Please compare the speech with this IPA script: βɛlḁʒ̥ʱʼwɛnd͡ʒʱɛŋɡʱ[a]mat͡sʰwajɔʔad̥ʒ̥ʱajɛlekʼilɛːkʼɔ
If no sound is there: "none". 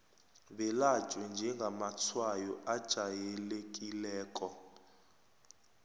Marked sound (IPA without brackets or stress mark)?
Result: a